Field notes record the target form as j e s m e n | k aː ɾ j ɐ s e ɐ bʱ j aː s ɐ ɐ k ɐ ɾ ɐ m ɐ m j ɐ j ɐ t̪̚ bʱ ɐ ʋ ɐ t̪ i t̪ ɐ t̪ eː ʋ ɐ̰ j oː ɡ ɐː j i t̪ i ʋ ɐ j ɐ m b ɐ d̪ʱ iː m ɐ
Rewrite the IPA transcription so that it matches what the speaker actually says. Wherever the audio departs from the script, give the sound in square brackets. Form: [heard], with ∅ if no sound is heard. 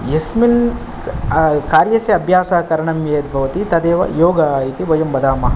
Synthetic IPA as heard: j e s m [i] n | k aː ɾ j ɐ s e ɐ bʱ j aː s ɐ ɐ k ɐ ɾ ɐ [ɳ] ɐ m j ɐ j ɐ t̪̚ bʱ ɐ ʋ ɐ t̪ i t̪ ɐ [d̪] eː ʋ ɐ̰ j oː ɡ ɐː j i t̪ i ʋ ɐ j ɐ m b ɐ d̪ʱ [aː] m ɐ